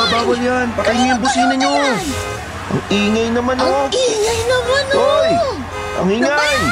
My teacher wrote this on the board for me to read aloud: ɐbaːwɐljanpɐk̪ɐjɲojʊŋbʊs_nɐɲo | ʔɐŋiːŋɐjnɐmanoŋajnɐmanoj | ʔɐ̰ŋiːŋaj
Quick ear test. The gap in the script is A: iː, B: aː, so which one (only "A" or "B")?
A